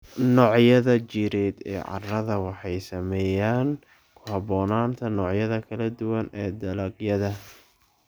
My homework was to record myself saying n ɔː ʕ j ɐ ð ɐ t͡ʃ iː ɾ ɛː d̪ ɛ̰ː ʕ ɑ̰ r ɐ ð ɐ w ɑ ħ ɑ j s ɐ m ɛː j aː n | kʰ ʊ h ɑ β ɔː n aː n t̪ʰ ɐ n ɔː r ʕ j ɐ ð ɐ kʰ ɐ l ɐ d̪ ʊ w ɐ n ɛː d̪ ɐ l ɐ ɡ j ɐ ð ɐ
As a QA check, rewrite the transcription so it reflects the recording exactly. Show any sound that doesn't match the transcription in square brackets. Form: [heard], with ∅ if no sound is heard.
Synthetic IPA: n ɔː ʕ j ɐ ð ɐ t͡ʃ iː ɾ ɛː d̪ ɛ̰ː ʕ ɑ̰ r ɐ ð ɐ w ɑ ħ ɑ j s ɐ m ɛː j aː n | kʰ ʊ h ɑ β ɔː n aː n t̪ʰ ɐ n ɔː [∅] ʕ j ɐ ð ɐ kʰ ɐ l ɐ d̪ ʊ w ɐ n ɛː d̪ ɐ l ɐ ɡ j ɐ ð ɐ